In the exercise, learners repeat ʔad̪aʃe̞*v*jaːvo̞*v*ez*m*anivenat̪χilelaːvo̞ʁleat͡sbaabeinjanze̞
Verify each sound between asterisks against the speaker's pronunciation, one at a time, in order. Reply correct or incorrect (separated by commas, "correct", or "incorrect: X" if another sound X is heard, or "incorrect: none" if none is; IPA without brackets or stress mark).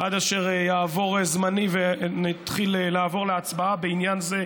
incorrect: ʁ, incorrect: ʁ, correct